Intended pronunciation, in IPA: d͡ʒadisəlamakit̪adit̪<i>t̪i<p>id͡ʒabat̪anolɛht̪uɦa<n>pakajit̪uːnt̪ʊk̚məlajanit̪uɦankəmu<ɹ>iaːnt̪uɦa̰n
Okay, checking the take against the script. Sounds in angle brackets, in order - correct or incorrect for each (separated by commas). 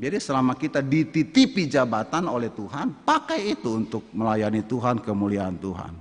correct, correct, correct, incorrect